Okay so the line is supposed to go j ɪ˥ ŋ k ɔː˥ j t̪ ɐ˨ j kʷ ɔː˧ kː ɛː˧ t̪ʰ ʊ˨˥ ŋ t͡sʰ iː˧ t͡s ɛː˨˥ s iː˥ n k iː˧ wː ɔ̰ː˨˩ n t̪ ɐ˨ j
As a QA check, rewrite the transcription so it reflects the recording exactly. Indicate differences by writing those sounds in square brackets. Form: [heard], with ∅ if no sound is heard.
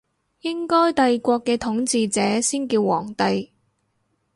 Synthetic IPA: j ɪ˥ ŋ k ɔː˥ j t̪ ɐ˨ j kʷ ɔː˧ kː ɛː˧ t̪ʰ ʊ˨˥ ŋ [t͡s] iː˧ t͡s ɛː˨˥ s iː˥ n k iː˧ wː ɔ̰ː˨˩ [ŋ] t̪ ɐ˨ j

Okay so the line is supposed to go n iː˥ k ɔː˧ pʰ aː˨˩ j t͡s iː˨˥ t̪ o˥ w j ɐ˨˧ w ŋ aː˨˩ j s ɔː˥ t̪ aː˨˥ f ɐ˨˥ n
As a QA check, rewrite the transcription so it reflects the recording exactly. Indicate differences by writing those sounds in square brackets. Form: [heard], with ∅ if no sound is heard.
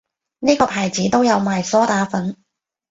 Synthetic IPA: n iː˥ k ɔː˧ pʰ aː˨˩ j t͡s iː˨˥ t̪ o˥ w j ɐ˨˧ w [m] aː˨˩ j s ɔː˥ t̪ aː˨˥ f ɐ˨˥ n

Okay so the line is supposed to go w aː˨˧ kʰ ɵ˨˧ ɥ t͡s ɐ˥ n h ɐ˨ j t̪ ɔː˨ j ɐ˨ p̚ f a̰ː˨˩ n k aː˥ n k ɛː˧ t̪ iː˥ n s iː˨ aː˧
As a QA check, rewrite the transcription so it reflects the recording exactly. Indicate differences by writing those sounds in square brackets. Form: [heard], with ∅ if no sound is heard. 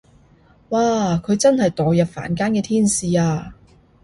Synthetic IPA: w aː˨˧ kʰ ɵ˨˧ ɥ t͡s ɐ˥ n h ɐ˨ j t̪ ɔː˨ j ɐ˨ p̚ f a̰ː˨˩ n k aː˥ n k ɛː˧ [t̪ʰ] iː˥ n s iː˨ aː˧

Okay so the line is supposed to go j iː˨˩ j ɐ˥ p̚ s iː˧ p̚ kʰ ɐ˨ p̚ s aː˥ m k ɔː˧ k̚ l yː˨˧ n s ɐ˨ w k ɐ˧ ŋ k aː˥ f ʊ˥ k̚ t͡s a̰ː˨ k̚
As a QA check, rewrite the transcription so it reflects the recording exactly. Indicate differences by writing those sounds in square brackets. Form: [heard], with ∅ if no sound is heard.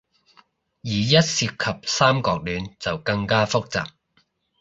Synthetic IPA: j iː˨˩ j ɐ˥ [t̚] s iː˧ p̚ kʰ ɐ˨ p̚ s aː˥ m k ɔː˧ k̚ l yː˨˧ n [t͡s] ɐ˨ w k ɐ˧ ŋ k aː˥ f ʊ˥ k̚ t͡s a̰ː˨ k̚

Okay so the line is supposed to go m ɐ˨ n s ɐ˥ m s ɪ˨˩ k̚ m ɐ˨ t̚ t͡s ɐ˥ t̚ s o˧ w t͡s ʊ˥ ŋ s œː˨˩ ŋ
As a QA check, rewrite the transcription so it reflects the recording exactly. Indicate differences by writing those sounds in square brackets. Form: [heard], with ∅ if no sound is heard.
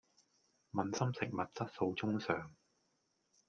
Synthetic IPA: m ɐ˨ n s ɐ˥ m s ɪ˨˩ k̚ m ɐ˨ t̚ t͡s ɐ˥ t̚ s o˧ w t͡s ʊ˥ ŋ s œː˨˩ ŋ

